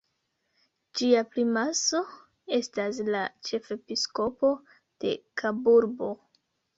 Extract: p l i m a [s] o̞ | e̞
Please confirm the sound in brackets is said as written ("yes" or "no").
yes